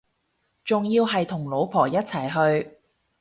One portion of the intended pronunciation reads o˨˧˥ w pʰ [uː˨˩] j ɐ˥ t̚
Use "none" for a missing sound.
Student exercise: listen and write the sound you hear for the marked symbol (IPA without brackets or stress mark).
ɔː˨˩